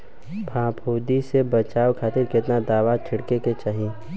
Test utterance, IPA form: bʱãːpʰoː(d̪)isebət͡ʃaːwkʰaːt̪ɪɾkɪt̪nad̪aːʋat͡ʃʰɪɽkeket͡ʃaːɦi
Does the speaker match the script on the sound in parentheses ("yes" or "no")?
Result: yes